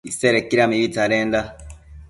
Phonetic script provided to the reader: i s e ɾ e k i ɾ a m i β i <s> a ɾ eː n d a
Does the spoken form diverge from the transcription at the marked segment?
yes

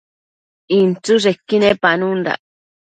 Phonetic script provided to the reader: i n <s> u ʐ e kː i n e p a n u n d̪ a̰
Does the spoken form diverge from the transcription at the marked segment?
yes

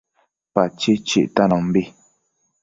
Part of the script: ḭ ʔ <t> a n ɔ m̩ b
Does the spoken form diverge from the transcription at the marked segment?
no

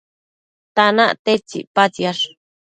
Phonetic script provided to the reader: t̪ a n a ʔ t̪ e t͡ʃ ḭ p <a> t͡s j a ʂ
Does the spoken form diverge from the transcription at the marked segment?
no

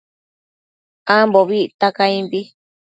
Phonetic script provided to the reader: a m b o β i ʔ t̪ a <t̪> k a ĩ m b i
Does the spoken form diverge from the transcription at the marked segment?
yes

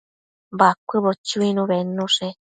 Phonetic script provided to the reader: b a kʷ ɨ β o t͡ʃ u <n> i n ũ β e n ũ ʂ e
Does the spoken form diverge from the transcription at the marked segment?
yes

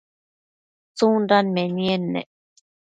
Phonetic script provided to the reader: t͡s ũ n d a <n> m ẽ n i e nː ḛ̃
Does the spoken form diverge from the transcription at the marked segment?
no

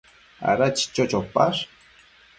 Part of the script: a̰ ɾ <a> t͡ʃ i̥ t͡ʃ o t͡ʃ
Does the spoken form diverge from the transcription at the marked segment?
no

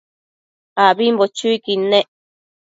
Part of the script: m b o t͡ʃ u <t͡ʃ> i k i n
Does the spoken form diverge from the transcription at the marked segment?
yes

